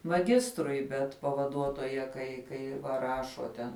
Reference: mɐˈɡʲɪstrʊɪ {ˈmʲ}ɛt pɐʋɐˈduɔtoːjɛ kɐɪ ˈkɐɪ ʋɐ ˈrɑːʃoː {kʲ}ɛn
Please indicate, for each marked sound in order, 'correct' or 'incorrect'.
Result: incorrect: bʲ, incorrect: tʲ

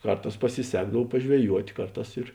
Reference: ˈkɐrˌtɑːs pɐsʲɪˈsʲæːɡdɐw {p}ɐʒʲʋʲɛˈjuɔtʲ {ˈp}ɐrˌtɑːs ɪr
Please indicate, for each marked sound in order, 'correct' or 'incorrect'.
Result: correct, incorrect: k

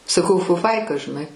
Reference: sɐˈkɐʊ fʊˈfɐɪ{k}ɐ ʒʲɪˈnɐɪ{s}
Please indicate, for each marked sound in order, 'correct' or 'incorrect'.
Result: correct, incorrect: none

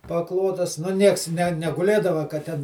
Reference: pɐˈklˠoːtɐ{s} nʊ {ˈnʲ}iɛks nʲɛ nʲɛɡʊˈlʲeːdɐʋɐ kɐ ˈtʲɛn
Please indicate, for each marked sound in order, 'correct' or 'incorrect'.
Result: correct, correct

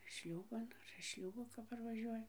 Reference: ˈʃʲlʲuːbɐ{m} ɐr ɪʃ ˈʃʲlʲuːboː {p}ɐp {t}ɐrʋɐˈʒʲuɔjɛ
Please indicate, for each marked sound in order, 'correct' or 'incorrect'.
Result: incorrect: n, incorrect: k, incorrect: p

